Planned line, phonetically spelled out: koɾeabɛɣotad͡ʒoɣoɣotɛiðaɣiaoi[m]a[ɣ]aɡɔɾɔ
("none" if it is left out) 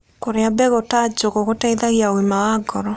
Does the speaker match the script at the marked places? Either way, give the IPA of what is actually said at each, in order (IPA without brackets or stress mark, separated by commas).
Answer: m, w